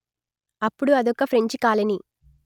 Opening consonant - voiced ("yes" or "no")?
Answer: no